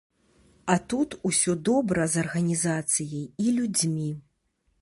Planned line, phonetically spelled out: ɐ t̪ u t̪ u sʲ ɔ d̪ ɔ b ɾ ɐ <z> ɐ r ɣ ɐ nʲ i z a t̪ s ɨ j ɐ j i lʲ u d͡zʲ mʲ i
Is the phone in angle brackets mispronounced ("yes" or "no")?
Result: no